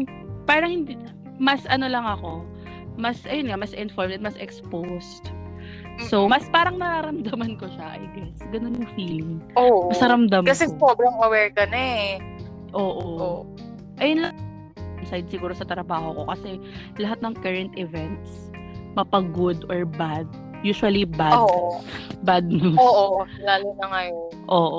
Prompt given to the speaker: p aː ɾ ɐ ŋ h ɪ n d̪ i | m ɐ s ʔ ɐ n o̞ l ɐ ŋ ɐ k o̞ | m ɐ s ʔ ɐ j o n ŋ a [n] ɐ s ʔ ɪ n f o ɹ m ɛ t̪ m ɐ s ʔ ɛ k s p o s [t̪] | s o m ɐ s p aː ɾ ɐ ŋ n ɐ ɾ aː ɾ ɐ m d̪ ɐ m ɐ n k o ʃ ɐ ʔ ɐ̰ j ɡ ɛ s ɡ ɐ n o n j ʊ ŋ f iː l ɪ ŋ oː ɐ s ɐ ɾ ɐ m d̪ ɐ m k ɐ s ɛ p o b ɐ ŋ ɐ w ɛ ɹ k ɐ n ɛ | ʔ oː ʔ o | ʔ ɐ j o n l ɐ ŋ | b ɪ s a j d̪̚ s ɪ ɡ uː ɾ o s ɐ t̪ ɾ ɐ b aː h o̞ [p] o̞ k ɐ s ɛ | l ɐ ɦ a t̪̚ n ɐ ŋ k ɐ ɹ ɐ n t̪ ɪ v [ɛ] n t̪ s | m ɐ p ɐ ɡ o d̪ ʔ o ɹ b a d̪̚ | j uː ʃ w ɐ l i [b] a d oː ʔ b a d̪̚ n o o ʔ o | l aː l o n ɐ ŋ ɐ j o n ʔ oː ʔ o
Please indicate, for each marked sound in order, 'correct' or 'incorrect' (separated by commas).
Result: incorrect, correct, incorrect, correct, correct